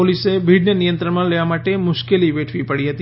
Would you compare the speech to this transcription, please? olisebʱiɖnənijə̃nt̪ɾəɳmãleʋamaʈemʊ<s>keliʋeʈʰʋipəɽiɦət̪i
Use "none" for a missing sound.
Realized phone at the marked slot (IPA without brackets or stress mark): ʃ